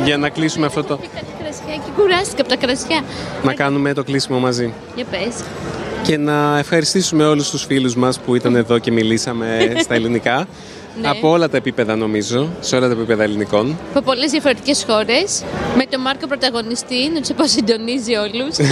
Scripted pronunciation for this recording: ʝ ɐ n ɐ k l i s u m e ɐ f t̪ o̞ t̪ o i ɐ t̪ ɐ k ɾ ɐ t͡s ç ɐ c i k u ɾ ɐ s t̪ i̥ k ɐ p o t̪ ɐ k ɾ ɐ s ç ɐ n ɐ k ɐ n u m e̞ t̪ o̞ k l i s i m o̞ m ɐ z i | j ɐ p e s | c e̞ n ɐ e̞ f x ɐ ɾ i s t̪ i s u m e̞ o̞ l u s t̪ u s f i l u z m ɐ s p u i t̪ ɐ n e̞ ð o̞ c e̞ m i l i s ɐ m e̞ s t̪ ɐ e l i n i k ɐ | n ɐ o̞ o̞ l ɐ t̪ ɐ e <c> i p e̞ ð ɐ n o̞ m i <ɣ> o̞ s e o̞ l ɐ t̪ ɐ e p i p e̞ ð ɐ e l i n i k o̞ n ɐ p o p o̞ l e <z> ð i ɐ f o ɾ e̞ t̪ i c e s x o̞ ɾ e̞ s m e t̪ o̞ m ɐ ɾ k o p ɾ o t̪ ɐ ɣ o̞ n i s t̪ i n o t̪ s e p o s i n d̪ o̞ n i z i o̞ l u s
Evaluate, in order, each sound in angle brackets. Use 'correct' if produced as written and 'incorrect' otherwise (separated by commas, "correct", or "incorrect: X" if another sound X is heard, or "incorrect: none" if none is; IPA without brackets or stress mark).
incorrect: p, incorrect: z, correct